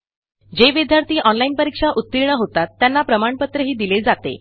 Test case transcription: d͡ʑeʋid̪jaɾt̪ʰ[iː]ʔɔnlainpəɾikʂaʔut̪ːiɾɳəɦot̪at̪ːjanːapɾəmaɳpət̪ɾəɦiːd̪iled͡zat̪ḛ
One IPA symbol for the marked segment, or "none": iː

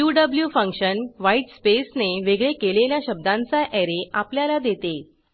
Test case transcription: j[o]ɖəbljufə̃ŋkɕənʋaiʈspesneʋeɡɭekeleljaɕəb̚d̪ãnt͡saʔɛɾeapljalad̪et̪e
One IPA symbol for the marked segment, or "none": u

